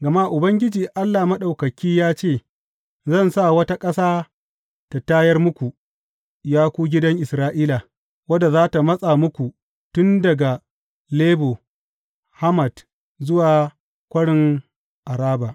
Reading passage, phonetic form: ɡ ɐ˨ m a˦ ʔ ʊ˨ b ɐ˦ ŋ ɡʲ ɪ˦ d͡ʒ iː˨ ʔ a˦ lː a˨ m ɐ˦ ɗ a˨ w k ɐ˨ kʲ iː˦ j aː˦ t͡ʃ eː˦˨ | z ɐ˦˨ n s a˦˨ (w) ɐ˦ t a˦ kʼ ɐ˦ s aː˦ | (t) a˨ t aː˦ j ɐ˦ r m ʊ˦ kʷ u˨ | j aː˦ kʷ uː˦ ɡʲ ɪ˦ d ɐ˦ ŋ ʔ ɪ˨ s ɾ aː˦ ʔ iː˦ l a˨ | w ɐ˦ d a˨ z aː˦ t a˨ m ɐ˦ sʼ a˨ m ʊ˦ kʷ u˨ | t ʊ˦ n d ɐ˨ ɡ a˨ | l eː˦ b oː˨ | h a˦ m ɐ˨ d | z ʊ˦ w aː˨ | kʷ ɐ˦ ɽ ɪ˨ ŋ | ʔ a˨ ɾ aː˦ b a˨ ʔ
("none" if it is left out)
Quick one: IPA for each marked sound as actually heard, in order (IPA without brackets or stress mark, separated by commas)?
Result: w, t